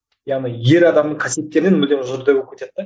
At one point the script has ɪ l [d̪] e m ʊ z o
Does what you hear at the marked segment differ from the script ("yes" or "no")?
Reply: no